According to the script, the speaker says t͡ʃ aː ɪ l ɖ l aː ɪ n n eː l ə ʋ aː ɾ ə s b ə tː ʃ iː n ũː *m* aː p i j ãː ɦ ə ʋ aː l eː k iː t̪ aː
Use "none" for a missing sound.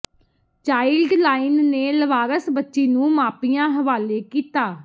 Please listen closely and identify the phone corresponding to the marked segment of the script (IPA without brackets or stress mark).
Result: m